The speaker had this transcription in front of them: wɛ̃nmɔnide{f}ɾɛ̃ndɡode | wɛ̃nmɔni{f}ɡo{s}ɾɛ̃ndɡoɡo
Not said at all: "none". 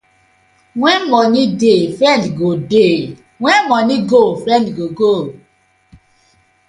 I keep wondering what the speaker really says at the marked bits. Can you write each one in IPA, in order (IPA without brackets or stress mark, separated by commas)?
f, none, f